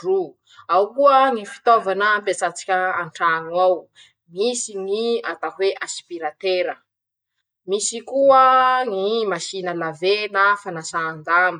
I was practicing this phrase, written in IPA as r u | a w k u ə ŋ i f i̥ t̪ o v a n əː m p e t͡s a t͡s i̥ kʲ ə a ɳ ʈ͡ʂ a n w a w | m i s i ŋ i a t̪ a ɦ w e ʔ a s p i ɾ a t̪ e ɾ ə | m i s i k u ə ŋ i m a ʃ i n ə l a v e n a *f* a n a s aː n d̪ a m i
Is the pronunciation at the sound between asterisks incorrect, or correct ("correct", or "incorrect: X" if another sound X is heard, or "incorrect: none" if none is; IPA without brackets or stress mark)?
correct